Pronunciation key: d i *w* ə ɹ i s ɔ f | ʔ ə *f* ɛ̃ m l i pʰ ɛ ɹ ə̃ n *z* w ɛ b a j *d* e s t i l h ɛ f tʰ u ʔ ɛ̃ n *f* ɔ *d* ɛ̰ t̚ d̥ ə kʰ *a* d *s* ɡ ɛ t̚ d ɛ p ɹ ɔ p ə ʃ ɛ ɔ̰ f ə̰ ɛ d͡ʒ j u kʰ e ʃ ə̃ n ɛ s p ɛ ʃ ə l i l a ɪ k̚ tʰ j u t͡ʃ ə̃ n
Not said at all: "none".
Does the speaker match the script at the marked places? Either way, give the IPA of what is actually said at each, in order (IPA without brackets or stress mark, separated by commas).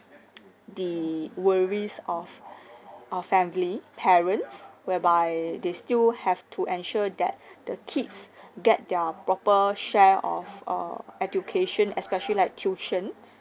w, f, s, d, ʃ, d, i, s